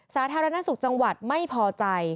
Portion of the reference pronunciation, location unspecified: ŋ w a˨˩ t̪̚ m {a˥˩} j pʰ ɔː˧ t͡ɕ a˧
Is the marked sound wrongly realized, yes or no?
no